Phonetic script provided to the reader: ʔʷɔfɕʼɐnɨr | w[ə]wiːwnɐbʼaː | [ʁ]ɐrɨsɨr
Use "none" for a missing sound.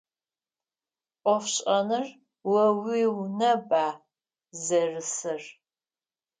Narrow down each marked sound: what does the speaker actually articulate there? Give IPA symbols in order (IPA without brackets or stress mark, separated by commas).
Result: ɐ, z